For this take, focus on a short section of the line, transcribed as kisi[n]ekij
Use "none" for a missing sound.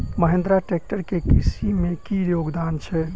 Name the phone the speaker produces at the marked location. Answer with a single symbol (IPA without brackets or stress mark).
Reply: m